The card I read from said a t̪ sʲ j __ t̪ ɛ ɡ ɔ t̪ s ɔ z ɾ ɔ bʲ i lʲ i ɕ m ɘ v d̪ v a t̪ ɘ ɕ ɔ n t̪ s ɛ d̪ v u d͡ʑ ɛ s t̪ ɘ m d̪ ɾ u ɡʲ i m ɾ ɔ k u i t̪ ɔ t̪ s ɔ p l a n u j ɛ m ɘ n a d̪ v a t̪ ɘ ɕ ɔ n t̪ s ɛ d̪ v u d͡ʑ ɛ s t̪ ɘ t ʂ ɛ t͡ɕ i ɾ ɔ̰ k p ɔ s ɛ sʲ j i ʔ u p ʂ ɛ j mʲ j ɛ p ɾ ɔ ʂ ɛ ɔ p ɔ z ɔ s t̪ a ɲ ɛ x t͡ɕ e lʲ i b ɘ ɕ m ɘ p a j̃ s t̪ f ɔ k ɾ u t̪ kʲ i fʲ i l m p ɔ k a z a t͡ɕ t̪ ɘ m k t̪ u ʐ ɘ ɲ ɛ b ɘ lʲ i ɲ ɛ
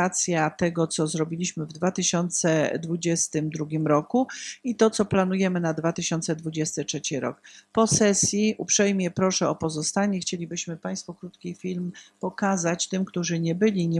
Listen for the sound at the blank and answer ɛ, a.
a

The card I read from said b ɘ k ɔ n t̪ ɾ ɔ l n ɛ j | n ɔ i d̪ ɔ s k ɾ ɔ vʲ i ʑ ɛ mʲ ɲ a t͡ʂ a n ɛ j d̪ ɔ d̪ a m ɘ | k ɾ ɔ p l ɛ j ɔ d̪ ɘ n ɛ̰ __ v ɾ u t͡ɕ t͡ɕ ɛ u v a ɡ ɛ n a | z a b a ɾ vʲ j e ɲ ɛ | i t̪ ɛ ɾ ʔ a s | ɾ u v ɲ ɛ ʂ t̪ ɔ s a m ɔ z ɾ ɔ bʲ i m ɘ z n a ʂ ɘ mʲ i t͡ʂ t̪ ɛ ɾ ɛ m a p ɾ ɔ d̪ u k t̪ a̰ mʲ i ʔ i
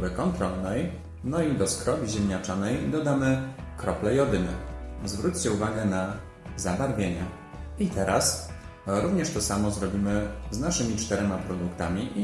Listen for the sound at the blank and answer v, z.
z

